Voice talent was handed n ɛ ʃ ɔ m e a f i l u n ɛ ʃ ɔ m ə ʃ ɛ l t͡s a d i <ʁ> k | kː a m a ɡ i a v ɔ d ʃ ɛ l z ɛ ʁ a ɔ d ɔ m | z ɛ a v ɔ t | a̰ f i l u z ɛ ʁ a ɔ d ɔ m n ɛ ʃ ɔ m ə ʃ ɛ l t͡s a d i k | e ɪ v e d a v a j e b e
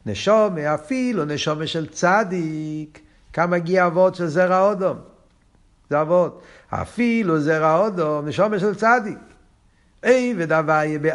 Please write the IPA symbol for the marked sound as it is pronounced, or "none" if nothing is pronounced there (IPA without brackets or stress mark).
none